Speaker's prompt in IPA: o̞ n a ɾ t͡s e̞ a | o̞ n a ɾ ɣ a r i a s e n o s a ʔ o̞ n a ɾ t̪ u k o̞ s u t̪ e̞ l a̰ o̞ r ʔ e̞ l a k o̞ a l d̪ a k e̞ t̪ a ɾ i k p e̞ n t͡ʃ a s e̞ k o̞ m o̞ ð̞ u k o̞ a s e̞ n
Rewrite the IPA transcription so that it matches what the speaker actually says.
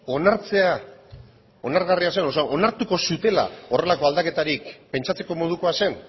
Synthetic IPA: o̞ n a ɾ t͡s e̞ a | o̞ n a ɾ ɣ a r i a s e n o s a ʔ o̞ n a ɾ t̪ u k o̞ s u t̪ e̞ l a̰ o̞ r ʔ e̞ l a k o̞ a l d̪ a k e̞ t̪ a ɾ i k p e̞ n t͡ʃ a t͡s e̞ k o̞ m o̞ ð̞ u k o̞ a s e̞ n